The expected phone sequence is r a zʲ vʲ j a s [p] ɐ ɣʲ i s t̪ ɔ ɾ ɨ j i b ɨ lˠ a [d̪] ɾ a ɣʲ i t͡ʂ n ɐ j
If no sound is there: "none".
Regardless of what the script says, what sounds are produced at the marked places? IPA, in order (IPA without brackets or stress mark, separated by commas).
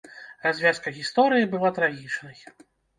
k, t̪